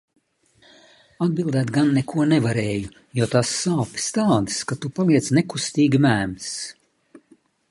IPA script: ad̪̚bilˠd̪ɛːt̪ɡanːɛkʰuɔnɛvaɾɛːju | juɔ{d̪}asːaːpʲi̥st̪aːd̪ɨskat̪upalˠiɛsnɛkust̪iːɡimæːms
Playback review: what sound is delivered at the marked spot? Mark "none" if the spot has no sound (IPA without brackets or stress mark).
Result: t̪